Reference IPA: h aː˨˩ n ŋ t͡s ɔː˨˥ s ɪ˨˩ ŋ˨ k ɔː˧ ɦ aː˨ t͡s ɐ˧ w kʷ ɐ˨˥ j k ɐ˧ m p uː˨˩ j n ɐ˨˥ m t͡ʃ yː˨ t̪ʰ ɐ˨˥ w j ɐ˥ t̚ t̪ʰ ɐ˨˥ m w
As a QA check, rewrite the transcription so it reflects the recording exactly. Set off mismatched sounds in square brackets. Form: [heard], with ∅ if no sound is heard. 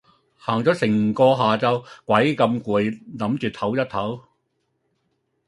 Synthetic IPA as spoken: h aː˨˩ [∅] ŋ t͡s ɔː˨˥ s ɪ˨˩ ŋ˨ k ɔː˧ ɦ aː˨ t͡s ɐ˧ w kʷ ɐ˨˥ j k ɐ˧ m [k] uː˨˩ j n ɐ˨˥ m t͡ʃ yː˨ t̪ʰ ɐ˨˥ w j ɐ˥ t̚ t̪ʰ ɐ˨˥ [∅] w